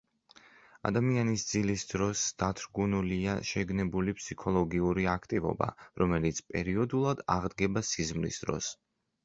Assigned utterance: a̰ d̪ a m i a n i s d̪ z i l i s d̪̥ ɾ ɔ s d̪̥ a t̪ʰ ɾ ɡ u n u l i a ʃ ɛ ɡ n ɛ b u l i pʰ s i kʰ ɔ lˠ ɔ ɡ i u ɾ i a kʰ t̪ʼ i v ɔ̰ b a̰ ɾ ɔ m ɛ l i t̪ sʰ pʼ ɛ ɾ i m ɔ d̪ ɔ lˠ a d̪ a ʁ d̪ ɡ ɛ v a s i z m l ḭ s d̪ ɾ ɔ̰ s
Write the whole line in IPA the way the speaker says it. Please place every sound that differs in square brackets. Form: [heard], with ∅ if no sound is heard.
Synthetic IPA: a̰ d̪ a m i a n i s d̪ z i l i s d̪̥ ɾ ɔ s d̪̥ a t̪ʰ ɾ ɡ u n u l i a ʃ ɛ ɡ n ɛ b u l i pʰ s i kʰ ɔ lˠ ɔ ɡ i u ɾ i a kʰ t̪ʼ i v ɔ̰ b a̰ ɾ ɔ m ɛ l i t̪ sʰ pʼ ɛ ɾ i [∅] ɔ d̪ [u] lˠ a d̪ a ʁ d̪ ɡ ɛ [b] a s i z m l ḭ s d̪ ɾ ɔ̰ s